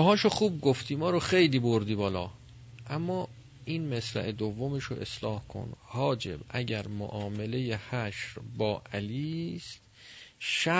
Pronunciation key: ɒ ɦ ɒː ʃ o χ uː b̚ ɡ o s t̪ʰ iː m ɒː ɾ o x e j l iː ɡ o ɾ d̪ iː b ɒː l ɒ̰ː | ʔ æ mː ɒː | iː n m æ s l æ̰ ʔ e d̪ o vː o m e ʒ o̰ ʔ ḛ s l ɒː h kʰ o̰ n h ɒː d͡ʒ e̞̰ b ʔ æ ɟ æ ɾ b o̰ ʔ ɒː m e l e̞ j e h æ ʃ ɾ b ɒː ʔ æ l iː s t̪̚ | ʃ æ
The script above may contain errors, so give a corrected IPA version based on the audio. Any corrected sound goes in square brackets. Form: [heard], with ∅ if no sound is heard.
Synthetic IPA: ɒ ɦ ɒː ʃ o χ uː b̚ ɡ o [f] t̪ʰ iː m ɒː ɾ o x e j l iː [b] o ɾ d̪ iː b ɒː l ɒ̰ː | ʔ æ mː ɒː | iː n m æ s l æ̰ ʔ e d̪ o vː o m e [ʃ] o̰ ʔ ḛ s l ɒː h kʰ o̰ n h ɒː d͡ʒ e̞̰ b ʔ æ ɟ æ ɾ [m] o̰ ʔ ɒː m e l e̞ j e h æ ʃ ɾ b ɒː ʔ æ l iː s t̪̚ | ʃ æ